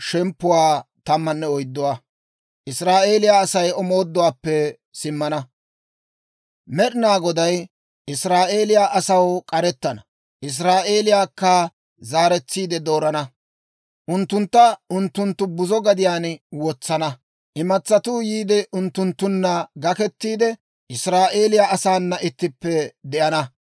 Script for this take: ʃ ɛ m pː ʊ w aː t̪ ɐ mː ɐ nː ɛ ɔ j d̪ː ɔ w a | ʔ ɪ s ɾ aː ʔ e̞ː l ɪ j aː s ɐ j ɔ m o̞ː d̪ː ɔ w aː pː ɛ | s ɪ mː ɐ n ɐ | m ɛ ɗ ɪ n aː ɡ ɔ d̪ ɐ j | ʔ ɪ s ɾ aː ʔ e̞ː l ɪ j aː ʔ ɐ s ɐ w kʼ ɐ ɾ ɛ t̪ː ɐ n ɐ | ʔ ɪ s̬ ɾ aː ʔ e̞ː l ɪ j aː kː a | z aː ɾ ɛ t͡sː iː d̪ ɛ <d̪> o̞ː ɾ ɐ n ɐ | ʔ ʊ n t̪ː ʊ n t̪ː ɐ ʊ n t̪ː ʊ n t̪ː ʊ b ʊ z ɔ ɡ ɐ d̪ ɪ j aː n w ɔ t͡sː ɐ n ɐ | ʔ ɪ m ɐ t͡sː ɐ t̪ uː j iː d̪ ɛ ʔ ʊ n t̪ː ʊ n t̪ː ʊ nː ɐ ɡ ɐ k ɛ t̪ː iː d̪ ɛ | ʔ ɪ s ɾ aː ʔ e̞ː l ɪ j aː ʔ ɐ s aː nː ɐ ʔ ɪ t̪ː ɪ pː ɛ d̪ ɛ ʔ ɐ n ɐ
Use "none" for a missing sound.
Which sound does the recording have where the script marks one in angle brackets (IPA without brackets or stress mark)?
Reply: d̪